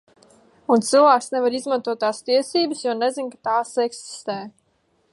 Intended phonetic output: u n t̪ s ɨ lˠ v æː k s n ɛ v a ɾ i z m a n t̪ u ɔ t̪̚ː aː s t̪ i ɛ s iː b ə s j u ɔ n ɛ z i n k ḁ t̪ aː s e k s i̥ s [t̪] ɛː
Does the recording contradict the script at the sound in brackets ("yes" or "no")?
no